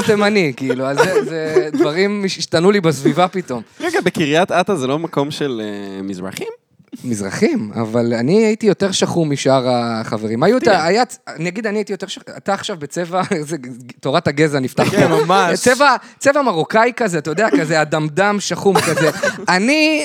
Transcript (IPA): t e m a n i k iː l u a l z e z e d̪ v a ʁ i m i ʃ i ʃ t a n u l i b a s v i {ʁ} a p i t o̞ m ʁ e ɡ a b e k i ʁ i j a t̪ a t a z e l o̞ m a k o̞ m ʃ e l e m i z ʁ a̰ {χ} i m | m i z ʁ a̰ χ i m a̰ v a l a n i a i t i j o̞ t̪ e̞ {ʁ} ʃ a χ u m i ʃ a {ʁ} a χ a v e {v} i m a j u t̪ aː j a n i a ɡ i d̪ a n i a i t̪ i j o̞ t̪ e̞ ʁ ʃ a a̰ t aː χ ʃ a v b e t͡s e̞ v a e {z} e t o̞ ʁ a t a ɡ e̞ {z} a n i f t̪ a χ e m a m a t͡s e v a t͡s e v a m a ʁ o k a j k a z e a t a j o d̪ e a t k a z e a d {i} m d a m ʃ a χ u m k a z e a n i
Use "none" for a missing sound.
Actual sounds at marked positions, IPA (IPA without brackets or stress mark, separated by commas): v, χ, ʁ, ʁ, ʁ, z, z, a